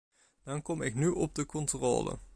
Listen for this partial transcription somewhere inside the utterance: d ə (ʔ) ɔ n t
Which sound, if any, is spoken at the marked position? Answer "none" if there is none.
k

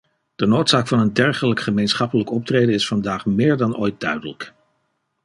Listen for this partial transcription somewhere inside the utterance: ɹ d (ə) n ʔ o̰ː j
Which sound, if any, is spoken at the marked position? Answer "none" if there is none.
ɑ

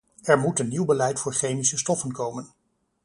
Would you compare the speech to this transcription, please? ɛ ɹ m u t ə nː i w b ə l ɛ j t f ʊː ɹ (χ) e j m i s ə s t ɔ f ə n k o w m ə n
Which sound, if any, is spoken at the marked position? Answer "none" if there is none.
χ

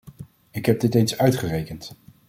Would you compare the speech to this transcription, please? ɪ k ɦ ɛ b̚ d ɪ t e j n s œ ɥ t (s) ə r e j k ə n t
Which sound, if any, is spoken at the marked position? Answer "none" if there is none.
χ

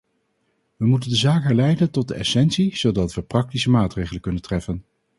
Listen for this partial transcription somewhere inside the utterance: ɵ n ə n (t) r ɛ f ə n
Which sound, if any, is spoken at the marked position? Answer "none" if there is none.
t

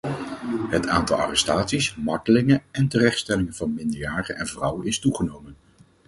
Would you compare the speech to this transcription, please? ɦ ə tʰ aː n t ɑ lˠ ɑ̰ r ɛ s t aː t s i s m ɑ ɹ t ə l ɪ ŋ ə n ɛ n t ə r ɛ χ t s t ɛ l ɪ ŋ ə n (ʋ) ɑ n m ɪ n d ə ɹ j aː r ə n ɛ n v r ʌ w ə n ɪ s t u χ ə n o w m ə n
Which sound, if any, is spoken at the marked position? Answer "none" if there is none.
v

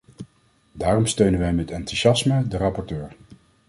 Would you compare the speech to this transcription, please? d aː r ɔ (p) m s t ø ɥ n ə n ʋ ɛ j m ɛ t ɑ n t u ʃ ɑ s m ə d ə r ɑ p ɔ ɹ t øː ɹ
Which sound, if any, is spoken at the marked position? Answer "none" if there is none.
none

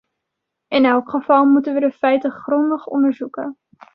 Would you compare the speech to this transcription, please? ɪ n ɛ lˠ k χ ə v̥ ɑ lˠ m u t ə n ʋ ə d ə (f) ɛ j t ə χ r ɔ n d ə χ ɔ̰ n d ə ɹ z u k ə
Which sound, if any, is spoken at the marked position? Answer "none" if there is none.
f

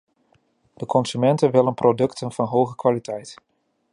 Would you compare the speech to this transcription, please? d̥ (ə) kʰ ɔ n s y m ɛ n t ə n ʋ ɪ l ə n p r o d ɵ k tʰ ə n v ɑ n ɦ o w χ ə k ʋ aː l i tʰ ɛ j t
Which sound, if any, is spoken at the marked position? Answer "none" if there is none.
ə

